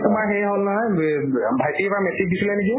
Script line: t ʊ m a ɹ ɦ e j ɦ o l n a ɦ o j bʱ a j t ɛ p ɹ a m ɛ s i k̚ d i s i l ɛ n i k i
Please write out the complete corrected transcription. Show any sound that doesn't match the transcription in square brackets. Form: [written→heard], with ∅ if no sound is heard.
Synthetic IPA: t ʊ m a ɹ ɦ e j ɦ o l n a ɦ [o→ɔ] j bʱ a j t [ɛ→i] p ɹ a m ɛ s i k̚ d i s i l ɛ n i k i